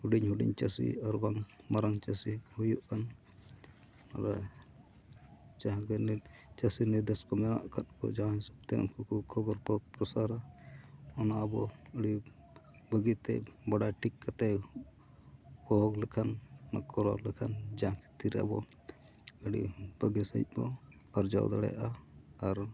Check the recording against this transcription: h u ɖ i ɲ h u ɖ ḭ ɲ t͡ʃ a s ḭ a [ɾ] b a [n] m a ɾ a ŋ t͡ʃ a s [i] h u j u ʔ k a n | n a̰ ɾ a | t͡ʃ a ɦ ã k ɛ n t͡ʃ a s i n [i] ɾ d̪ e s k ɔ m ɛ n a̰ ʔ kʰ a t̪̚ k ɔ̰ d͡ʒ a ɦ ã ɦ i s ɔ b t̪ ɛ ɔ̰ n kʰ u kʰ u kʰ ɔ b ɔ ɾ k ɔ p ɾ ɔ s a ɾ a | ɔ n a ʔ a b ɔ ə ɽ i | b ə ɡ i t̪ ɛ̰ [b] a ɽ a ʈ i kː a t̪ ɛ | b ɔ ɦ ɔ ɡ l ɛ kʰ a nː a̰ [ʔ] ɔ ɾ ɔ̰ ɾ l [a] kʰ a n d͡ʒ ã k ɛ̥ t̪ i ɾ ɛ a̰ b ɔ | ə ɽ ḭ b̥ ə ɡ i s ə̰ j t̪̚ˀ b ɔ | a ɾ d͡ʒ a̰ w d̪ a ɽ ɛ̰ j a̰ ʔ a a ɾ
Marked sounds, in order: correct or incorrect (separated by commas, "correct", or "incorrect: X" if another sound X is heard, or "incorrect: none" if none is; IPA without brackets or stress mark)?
correct, incorrect: ŋ, correct, correct, correct, incorrect: k, incorrect: ɛ